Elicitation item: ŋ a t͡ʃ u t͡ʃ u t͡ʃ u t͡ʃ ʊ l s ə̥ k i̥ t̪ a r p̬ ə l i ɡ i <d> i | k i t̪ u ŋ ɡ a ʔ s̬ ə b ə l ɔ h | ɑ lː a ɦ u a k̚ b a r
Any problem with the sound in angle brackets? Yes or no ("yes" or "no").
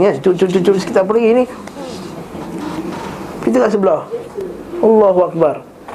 yes